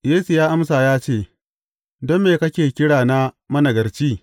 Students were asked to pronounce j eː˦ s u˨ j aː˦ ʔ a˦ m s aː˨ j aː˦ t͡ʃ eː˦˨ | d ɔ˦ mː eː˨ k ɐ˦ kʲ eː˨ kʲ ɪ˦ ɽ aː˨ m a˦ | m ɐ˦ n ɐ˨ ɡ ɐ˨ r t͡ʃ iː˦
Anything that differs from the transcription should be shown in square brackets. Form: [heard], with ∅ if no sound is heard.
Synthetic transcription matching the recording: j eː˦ s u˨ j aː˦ ʔ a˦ m s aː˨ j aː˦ t͡ʃ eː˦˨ | d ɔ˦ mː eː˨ k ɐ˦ kʲ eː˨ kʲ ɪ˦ ɽ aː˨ [n] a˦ | m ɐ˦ n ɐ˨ ɡ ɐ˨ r t͡ʃ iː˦